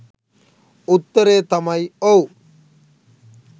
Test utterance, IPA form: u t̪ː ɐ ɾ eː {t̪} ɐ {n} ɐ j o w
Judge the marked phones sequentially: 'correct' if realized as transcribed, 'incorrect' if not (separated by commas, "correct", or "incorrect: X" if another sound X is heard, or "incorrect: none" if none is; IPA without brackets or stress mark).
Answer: correct, incorrect: m